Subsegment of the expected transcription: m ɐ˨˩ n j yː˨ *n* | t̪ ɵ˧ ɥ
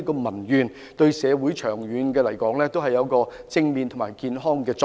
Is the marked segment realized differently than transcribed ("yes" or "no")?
no